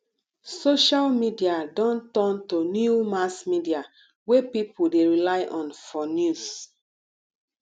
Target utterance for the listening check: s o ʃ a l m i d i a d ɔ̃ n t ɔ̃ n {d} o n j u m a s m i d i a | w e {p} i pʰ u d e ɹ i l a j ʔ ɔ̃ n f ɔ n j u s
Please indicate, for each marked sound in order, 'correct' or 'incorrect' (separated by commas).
incorrect, correct